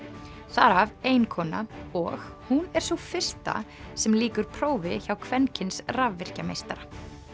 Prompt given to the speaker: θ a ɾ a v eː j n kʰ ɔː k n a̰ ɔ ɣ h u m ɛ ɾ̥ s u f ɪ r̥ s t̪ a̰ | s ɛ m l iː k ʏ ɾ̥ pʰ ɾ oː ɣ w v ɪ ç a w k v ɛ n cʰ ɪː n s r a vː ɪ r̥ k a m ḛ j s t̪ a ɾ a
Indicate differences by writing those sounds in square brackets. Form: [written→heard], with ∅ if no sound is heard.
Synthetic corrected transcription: θ a ɾ a v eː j n kʰ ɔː [k→∅] n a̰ ɔ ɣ h u [m→n] ɛ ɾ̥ s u f ɪ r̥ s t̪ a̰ | s ɛ m l iː k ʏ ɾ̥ pʰ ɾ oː [ɣ→∅] w v ɪ ç a w [k→kʰ] v ɛ n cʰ [ɪː→ɪ] n s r a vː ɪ r̥ [k→c] a m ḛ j s t̪ a ɾ a